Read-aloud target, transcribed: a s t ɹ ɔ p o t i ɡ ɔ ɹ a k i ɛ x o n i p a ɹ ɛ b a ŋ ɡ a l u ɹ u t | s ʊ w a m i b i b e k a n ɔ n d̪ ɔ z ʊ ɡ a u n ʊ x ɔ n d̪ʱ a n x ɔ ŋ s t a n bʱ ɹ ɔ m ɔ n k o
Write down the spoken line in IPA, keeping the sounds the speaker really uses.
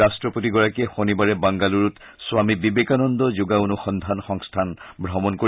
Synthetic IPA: a s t ɹ ɔ p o t i ɡ ɔ ɹ a k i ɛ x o n i b a ɹ ɛ b a ŋ ɡ a l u ɹ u t | s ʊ w a m i b i b e k a n ɔ n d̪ ɔ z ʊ ɡ a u n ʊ x ɔ n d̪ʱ a n x ɔ ŋ s tʰ a n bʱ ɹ ɔ m ɔ n k o